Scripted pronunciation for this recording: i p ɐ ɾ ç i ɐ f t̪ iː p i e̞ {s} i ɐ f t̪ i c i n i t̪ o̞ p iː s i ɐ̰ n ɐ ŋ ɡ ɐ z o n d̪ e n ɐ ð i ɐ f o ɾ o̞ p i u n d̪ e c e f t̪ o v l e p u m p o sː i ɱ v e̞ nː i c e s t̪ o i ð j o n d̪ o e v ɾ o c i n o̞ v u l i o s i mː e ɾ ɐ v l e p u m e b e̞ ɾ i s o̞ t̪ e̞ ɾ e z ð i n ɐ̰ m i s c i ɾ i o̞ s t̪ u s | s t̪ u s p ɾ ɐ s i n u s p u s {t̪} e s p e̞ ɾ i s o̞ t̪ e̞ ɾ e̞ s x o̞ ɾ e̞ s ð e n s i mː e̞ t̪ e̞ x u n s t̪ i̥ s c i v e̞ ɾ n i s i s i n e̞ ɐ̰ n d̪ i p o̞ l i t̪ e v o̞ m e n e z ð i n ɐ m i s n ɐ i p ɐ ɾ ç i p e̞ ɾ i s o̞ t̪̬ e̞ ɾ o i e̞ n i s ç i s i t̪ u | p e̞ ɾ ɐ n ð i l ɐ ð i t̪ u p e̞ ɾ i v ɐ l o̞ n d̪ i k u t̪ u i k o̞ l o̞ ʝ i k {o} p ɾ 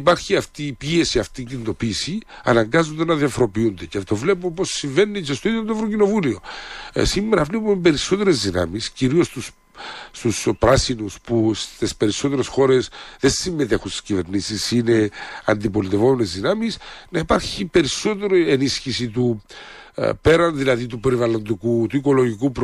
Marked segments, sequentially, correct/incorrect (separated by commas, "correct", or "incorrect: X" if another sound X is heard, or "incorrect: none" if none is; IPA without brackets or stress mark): correct, correct, incorrect: u